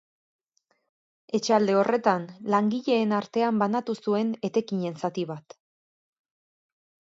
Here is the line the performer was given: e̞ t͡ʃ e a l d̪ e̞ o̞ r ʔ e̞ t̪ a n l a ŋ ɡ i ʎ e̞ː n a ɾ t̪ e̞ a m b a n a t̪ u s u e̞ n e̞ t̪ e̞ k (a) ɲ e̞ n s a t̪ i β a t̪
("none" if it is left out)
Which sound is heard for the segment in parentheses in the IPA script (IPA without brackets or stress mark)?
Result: i